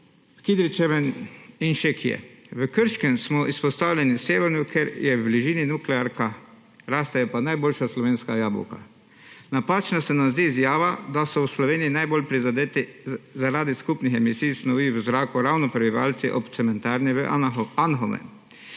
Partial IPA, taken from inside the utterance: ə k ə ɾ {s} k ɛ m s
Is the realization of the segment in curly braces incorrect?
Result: yes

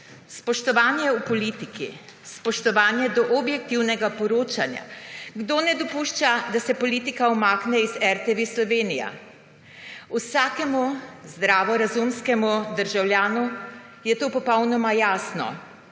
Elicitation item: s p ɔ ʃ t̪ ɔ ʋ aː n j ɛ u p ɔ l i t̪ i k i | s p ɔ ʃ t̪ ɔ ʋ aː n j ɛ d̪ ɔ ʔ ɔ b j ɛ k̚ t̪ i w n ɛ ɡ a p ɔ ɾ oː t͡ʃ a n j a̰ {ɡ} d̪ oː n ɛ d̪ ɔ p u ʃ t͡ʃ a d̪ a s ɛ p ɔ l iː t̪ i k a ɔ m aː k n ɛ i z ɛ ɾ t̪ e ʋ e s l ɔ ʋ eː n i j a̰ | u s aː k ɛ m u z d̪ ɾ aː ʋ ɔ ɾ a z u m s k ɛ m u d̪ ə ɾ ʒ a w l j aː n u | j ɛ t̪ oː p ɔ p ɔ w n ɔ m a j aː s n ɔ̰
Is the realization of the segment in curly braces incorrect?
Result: no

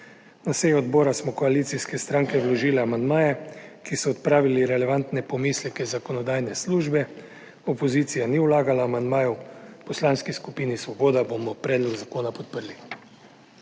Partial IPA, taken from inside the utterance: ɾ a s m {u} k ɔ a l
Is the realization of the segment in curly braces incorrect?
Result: yes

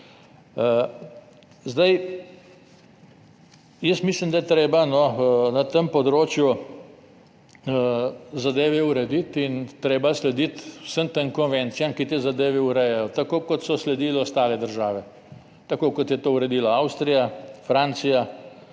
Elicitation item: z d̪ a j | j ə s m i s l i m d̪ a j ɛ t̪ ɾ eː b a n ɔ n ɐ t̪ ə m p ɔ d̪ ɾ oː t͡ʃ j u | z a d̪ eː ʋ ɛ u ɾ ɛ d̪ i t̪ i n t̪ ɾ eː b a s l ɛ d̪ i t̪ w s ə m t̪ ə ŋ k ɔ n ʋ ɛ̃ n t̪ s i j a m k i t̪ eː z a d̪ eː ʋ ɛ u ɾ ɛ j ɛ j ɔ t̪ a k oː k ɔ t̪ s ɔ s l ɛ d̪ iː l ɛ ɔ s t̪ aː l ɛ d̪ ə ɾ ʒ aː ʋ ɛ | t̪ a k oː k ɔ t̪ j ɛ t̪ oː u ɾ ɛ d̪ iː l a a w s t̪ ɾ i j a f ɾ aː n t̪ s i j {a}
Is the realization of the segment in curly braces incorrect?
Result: no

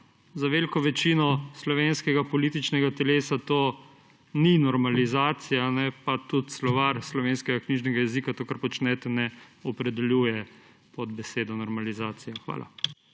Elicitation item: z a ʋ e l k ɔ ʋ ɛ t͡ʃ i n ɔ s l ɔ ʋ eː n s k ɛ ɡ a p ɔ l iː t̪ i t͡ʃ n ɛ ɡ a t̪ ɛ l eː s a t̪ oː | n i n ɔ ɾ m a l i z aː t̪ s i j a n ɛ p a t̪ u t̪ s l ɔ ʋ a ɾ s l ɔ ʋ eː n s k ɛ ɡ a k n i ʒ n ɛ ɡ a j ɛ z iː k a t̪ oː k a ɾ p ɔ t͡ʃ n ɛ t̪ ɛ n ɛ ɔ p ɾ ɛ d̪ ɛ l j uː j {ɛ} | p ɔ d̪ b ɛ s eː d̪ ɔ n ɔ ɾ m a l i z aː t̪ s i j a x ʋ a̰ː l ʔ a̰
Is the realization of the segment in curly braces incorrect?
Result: no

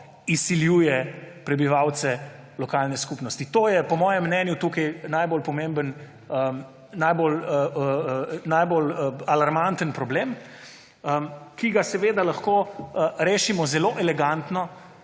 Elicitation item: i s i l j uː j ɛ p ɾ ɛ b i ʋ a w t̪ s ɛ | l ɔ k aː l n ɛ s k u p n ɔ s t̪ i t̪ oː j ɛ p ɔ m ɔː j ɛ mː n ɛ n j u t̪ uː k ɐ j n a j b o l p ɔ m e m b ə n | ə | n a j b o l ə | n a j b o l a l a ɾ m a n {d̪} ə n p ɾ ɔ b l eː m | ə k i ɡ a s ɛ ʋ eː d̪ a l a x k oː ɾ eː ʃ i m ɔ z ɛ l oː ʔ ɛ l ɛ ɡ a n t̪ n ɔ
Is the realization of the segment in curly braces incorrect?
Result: yes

